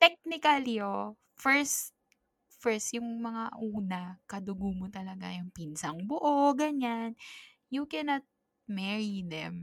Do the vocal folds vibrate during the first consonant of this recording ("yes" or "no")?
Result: no